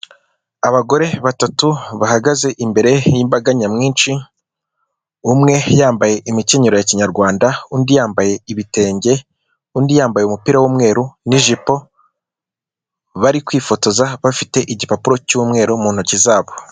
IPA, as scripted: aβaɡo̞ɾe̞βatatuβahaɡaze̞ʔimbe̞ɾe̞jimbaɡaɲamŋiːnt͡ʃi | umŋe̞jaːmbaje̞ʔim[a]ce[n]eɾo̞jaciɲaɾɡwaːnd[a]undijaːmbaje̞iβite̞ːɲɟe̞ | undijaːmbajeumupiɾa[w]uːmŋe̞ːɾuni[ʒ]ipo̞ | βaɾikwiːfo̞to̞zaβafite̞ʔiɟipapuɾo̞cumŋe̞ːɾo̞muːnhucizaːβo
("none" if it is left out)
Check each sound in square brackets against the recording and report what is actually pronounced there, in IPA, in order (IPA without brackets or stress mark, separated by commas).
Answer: i, ɲ, a, w, ʒ